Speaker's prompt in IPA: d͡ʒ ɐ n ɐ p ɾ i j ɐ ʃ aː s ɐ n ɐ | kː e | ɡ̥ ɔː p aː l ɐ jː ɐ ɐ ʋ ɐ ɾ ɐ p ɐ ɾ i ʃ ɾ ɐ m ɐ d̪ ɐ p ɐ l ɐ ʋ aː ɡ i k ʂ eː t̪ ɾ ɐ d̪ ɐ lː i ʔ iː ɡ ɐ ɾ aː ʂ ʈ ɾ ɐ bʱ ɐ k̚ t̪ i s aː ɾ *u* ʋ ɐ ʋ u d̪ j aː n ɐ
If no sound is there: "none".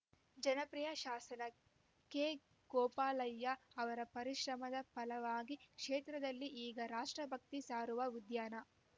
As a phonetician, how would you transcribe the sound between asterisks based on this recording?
u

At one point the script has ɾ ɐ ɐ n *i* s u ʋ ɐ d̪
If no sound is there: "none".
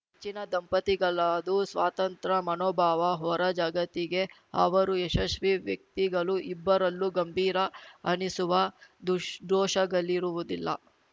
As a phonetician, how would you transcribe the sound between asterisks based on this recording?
i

